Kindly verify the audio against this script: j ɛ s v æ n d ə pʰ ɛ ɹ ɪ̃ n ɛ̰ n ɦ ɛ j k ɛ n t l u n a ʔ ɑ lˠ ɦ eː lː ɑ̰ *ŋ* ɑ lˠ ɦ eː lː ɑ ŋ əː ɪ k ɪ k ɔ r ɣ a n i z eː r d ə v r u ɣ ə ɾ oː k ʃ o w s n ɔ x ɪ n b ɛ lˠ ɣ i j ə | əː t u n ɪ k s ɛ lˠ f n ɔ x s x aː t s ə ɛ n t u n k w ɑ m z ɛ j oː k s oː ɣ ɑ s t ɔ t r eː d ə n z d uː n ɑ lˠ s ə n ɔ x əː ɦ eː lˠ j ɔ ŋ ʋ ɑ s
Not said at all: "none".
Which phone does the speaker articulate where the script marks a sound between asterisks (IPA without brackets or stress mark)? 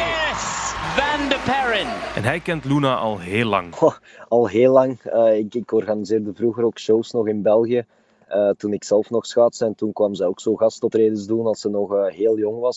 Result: ŋ